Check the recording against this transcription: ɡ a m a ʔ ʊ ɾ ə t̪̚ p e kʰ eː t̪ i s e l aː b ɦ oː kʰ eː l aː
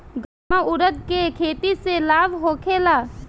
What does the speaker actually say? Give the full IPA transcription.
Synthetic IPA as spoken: ɡ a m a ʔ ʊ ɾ ə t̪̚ k e kʰ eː t̪ i s e l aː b ɦ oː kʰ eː l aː